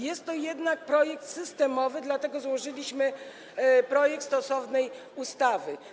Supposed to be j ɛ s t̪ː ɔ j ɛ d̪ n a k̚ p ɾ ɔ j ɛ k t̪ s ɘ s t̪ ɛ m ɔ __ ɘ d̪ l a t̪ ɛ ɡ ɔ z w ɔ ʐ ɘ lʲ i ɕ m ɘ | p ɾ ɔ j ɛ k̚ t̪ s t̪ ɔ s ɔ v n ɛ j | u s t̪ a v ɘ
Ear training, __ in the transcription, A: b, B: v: B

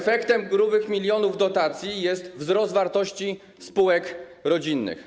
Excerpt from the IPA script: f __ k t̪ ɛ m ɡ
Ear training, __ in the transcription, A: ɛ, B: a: A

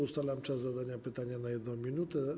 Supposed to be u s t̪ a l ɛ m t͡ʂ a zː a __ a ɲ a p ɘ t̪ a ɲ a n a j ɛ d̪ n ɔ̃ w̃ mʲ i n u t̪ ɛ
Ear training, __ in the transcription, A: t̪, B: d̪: B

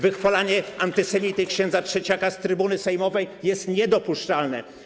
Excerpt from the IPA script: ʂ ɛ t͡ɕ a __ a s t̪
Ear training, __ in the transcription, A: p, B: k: B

